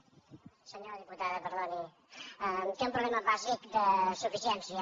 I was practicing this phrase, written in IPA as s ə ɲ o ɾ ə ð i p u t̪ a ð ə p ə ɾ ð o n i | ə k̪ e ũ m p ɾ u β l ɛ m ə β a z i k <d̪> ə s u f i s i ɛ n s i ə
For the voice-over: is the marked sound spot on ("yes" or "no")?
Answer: yes